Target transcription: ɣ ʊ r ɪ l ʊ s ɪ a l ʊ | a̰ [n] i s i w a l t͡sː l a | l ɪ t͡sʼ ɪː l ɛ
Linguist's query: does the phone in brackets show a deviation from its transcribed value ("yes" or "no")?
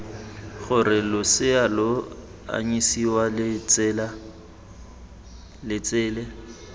yes